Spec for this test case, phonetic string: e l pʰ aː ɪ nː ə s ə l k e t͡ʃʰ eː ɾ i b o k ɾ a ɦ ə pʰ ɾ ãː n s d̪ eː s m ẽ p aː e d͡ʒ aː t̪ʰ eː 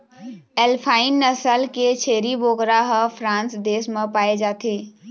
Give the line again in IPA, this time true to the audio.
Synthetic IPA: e l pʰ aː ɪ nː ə s ə l k e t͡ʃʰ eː ɾ i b o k ɾ a ɦ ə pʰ ɾ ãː n s d̪ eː s m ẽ p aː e d͡ʒ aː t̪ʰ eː